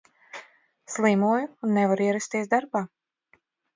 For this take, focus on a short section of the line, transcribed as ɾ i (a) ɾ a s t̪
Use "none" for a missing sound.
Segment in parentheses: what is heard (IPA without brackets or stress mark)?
ɛ